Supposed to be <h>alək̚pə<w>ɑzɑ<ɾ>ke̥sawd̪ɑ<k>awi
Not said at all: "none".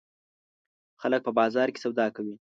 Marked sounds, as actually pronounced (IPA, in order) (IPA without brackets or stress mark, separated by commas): x, b, ɾ, k